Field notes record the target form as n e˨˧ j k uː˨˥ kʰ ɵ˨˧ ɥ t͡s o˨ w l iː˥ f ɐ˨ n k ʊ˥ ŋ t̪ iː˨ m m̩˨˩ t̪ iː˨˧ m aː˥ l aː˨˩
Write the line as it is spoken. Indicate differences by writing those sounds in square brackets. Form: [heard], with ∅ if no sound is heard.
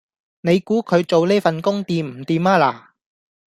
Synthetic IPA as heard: n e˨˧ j k uː˨˥ kʰ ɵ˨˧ ɥ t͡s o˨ w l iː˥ f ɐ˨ n k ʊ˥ ŋ t̪ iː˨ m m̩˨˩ t̪ iː˨˧ m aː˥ l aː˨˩